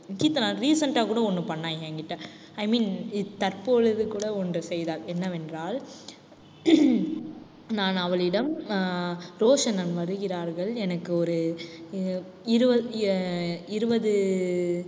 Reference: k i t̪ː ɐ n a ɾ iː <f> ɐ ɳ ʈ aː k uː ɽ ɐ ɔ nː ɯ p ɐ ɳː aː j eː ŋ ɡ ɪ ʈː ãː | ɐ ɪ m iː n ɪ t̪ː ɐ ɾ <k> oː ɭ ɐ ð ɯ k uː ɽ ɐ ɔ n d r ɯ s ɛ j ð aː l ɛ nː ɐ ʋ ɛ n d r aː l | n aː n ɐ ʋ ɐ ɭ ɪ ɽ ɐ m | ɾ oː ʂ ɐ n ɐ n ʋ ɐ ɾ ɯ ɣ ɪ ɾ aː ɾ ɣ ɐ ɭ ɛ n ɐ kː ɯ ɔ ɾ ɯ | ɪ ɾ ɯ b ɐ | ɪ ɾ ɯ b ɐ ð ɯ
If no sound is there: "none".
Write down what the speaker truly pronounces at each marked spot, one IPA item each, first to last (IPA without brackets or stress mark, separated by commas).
s, p